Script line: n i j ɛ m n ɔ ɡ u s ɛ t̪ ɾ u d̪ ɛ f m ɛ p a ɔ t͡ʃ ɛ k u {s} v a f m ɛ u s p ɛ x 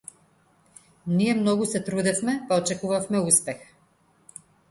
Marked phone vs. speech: incorrect: none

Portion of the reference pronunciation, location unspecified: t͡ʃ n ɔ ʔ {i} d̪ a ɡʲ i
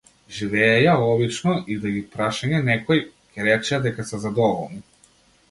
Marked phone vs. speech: correct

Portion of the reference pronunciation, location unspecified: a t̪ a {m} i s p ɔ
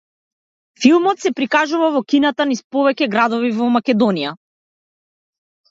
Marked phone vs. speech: incorrect: n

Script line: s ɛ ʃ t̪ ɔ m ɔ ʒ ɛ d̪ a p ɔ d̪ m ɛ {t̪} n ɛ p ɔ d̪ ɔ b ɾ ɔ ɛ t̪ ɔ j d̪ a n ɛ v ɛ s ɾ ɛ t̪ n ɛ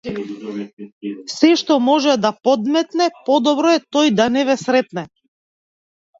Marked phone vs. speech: correct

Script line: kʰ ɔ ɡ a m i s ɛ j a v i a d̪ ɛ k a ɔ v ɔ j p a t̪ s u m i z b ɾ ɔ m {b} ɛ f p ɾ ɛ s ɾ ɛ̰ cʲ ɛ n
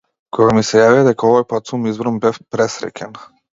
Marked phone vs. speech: correct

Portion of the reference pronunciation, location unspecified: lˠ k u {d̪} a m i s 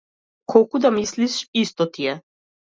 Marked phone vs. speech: correct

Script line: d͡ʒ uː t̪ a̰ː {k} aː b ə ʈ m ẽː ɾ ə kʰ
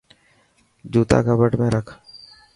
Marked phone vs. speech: correct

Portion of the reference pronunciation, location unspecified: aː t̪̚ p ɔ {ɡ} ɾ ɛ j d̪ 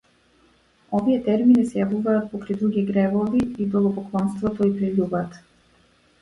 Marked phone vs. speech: incorrect: k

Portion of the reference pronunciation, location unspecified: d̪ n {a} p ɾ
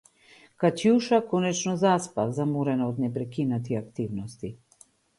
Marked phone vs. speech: incorrect: ɛ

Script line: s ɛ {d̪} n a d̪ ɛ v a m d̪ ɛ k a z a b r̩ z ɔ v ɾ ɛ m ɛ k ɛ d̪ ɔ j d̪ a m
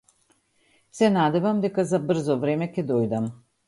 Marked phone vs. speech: incorrect: none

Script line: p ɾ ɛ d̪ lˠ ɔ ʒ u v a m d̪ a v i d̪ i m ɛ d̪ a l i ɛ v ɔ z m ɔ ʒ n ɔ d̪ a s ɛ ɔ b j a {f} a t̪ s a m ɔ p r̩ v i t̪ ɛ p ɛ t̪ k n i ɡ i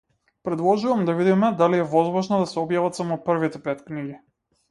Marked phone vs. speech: incorrect: v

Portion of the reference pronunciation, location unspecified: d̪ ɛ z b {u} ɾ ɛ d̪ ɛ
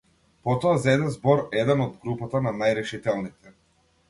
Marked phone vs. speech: incorrect: ɔ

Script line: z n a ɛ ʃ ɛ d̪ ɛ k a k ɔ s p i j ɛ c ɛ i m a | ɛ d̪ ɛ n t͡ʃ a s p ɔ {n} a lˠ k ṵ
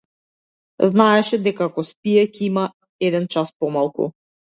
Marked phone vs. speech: incorrect: m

